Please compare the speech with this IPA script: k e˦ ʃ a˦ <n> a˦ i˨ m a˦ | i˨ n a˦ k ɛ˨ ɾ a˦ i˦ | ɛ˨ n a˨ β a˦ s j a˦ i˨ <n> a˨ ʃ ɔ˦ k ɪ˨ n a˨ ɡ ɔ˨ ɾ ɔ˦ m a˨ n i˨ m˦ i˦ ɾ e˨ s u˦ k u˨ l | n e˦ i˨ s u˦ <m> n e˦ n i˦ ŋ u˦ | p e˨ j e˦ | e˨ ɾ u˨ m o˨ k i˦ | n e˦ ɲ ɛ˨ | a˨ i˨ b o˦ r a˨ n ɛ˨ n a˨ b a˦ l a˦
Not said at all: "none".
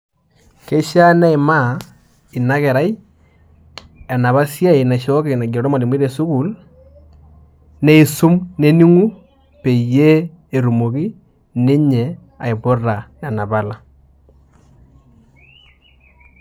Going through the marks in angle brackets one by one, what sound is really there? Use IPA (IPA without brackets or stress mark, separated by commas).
n, n, m